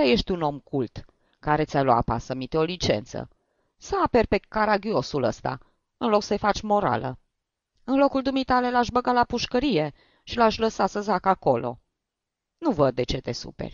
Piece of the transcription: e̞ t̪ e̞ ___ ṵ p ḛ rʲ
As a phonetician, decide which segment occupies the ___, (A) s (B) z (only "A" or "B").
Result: A